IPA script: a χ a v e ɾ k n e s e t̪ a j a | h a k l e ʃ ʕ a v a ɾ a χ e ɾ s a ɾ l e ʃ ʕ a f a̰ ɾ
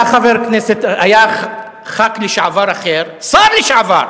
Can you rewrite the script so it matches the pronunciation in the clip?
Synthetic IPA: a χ a v e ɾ k n e s e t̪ a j a | χ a k l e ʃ ʕ a v a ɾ a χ e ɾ s a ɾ l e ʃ ʕ a v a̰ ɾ

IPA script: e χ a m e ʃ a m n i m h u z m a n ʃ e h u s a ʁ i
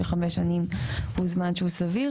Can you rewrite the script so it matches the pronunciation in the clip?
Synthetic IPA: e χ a m e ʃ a n i m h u z m a n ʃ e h u s a v i

